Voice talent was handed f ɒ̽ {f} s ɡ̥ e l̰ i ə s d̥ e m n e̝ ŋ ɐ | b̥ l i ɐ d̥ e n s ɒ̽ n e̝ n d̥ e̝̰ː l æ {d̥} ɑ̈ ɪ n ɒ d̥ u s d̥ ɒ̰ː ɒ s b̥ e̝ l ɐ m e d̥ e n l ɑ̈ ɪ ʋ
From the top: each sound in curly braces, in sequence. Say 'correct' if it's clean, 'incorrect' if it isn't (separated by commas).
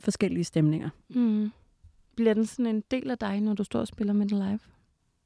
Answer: incorrect, correct